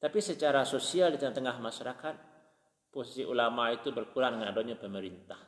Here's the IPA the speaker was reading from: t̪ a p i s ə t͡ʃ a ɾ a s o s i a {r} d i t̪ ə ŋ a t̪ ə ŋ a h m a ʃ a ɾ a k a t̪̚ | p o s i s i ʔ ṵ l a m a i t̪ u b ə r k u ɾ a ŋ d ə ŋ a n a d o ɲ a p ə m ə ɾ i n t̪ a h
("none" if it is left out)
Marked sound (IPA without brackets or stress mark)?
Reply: l